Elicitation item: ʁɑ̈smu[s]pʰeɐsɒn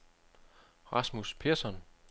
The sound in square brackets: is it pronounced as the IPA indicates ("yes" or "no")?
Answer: yes